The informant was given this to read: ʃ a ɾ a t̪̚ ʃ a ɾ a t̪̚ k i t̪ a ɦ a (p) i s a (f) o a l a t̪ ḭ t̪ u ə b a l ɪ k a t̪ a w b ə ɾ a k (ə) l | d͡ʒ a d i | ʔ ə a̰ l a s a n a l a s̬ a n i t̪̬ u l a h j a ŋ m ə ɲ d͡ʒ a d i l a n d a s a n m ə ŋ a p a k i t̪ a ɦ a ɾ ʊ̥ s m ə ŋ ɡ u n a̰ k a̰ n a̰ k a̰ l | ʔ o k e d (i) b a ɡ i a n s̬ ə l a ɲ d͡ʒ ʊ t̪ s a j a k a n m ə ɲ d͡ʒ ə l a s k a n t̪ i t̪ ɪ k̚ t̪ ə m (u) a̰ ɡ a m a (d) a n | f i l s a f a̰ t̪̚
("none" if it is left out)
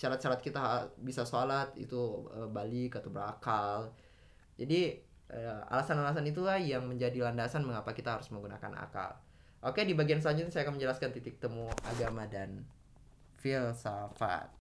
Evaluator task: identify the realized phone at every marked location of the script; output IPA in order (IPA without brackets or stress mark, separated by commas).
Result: b, s, a, i, u, d